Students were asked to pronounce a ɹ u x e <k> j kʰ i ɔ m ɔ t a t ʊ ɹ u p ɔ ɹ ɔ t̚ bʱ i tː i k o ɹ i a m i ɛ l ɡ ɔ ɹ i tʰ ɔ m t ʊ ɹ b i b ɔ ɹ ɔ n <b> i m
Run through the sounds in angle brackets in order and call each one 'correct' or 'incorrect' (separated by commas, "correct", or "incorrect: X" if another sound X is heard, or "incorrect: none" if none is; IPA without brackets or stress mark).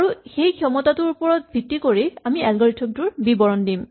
incorrect: none, incorrect: d